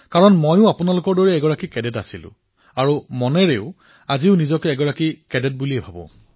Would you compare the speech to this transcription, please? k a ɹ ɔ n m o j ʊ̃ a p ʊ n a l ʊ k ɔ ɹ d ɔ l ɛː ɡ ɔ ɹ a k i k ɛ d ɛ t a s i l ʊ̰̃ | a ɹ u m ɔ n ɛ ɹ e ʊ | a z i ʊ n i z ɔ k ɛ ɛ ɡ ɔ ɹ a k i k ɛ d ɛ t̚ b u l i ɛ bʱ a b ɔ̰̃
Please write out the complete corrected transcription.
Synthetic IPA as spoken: k a ɹ ɔ n m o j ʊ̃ a p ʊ n a l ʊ k ɔ ɹ d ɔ ɹ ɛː ɡ ɔ ɹ a k i k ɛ d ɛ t a s i l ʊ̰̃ | a ɹ u m ɔ n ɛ ɹ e ʊ | a z i ʊ n i z ɔ k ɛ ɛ ɡ ɔ ɹ a k i k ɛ d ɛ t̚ b u l i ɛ bʱ a b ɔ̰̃